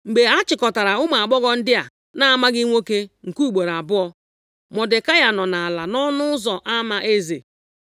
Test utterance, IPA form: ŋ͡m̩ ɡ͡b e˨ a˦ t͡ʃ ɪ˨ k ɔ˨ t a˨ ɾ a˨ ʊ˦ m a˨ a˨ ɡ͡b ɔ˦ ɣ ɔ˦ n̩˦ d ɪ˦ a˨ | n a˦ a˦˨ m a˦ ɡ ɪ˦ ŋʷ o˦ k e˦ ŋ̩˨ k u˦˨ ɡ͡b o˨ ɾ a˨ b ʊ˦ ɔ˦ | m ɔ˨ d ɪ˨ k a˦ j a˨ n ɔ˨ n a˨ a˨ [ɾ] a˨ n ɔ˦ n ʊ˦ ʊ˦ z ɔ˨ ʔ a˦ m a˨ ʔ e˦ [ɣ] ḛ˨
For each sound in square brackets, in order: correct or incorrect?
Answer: incorrect, incorrect

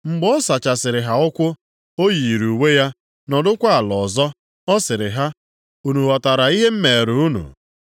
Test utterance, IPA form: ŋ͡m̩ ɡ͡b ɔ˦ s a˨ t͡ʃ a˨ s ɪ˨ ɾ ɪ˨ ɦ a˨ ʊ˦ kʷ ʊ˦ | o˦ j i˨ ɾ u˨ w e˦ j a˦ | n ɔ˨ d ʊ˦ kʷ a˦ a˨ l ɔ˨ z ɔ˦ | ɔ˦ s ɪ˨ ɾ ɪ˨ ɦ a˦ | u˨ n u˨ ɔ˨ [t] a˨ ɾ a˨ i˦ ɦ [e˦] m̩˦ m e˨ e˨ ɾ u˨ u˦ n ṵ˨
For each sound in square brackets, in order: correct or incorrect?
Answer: correct, correct

